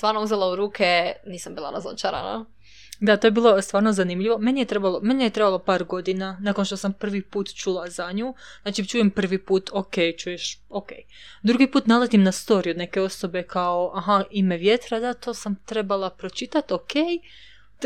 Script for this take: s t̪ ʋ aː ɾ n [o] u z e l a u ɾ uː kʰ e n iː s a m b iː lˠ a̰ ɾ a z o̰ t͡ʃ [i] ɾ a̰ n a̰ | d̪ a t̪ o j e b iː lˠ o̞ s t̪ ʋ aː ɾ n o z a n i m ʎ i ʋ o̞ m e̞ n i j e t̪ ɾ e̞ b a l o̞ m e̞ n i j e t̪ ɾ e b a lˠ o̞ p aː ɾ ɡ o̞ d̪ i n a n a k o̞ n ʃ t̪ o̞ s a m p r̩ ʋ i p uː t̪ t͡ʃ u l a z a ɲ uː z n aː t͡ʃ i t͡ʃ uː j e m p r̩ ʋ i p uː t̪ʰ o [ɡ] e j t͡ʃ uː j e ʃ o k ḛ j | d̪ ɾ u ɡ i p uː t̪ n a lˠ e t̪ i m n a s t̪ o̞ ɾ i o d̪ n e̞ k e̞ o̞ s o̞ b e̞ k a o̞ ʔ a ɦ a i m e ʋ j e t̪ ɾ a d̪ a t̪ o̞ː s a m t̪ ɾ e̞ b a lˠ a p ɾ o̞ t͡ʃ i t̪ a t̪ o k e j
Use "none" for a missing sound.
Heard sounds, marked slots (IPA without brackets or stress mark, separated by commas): o, a, k